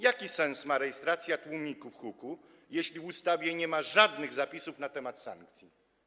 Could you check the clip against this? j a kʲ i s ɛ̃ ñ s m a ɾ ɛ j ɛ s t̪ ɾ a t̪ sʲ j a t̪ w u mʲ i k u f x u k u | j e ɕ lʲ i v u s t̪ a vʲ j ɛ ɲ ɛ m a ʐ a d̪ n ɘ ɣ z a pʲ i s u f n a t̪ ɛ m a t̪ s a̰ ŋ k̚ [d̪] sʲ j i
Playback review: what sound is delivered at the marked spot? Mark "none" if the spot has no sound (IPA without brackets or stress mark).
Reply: t̪